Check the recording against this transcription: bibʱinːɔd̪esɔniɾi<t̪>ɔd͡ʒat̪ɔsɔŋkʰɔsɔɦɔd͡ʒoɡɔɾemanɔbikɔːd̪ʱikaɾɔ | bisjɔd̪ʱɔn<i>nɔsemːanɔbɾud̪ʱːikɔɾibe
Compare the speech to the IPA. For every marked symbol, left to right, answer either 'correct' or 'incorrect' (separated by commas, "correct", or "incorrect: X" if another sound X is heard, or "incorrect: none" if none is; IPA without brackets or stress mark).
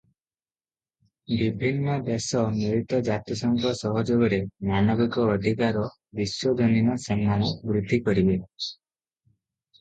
correct, correct